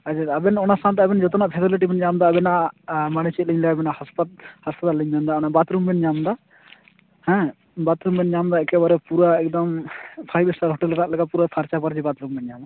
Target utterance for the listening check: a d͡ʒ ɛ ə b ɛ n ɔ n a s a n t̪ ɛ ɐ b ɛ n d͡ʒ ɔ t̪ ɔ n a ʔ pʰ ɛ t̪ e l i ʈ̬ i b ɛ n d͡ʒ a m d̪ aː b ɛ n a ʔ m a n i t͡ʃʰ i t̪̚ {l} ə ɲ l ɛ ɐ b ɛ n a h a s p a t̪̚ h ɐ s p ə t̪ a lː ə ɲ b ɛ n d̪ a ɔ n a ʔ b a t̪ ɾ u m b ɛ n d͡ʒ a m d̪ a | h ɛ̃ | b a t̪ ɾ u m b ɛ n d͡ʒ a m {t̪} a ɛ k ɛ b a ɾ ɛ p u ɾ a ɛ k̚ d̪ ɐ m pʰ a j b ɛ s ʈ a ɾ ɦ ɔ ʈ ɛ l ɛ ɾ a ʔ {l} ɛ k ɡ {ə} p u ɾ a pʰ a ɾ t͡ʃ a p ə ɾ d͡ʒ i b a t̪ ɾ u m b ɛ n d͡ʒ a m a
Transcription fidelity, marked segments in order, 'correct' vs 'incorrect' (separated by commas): correct, incorrect, correct, incorrect